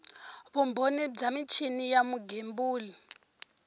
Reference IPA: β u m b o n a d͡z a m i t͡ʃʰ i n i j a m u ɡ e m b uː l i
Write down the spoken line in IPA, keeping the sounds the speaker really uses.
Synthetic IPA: β u m b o n i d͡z a m i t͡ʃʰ i n i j a m u ɡ e m b uː l i